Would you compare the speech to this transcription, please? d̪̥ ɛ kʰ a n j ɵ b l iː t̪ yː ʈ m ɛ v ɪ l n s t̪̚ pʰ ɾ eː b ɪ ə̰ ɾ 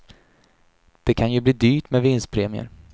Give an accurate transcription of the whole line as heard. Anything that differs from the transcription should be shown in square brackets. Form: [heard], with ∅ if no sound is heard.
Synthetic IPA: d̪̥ ɛ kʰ a n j ɵ b l iː [d̪] yː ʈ m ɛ v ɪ [∅] n s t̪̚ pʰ ɾ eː [m] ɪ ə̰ ɾ